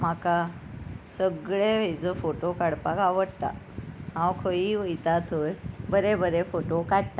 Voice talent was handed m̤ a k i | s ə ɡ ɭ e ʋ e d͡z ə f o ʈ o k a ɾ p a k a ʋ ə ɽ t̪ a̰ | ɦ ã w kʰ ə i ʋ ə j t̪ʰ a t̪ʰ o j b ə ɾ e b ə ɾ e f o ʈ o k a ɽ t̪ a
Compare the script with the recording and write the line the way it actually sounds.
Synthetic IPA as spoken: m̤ a k a | s ə ɡ ɭ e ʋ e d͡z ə f o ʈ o k a ɽ p a k a ʋ ə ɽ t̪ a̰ | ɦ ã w kʰ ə i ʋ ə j t̪ a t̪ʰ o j b ə ɾ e b ə ɾ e f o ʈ o k a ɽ t̪ a